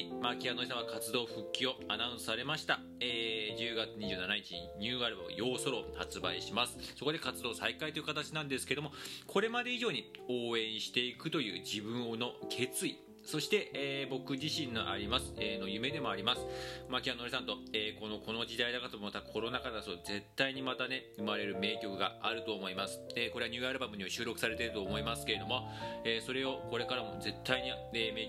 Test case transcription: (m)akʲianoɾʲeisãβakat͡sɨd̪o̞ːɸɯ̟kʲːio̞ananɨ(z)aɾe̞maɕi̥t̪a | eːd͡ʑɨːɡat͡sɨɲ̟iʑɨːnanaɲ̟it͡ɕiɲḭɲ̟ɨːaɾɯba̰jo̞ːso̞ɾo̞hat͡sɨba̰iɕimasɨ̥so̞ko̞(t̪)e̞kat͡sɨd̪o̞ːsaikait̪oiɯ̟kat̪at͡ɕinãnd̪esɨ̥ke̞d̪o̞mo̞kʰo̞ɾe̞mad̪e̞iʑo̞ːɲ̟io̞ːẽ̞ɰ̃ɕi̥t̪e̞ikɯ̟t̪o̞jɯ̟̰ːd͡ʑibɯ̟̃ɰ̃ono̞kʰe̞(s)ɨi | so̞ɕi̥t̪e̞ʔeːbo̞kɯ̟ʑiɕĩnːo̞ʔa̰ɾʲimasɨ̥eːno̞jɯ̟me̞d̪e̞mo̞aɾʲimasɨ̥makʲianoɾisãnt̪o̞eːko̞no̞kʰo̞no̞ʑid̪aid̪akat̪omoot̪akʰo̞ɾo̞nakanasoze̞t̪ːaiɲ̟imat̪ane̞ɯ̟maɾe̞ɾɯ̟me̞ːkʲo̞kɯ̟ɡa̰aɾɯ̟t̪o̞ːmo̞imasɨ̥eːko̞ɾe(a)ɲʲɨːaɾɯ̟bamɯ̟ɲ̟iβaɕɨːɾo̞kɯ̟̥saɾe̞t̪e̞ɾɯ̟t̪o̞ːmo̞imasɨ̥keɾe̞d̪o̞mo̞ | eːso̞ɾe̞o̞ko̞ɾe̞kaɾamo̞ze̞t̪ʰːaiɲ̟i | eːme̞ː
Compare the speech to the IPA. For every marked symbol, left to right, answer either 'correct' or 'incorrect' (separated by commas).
correct, incorrect, incorrect, incorrect, correct